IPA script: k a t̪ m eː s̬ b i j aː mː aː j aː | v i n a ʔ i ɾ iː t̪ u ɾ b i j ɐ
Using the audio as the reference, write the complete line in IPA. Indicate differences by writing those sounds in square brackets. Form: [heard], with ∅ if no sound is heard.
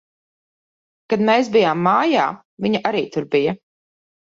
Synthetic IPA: k a [d̪] m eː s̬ b i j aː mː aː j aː | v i [ɲ] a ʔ [a] ɾ iː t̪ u ɾ b i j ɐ